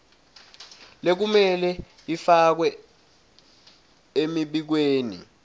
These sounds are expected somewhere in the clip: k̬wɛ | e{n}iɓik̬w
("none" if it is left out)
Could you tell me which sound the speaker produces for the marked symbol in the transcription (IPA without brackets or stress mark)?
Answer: m